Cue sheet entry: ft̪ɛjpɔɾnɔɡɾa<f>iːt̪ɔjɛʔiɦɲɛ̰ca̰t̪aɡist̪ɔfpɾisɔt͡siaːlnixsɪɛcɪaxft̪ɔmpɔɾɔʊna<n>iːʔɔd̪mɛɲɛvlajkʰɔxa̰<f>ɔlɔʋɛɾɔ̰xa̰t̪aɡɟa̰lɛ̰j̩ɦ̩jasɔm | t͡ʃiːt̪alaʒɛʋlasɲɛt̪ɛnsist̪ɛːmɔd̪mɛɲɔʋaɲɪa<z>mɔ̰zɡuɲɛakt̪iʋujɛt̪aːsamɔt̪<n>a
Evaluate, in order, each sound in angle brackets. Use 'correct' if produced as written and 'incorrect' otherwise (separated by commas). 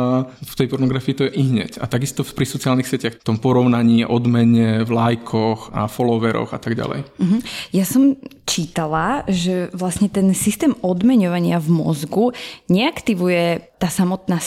correct, incorrect, correct, incorrect, correct